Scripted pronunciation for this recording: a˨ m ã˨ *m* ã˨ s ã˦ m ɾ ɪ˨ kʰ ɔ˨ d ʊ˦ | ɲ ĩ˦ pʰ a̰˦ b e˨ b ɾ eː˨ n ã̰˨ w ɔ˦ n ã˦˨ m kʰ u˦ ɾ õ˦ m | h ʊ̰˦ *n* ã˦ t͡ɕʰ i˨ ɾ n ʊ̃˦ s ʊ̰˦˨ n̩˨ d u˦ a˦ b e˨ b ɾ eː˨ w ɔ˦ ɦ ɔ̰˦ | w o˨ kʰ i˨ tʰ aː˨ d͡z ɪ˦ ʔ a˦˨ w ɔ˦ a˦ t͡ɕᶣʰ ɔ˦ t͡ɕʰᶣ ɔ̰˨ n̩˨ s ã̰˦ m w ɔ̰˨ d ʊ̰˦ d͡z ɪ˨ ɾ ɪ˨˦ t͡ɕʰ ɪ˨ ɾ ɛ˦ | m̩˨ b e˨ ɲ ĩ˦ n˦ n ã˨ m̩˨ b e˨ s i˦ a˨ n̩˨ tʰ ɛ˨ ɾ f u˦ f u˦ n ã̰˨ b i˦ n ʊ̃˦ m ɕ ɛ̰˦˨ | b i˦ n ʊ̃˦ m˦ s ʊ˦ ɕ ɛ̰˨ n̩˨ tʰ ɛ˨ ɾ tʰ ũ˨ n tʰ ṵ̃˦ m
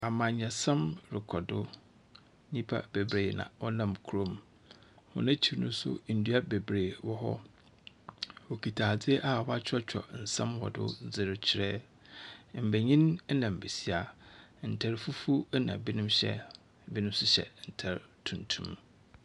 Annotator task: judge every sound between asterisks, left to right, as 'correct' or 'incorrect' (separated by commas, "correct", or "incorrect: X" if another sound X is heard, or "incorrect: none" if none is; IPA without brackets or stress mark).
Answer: incorrect: ɲ, correct